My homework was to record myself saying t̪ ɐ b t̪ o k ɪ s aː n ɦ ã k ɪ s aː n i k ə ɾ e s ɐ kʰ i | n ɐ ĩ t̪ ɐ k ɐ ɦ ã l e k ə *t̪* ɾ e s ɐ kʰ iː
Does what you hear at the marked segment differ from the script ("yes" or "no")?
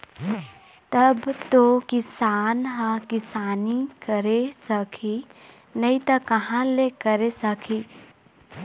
yes